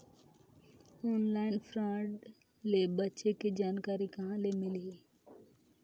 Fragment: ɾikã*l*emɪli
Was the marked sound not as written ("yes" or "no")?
no